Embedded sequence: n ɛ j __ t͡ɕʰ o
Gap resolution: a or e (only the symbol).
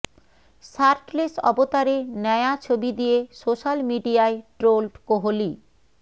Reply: a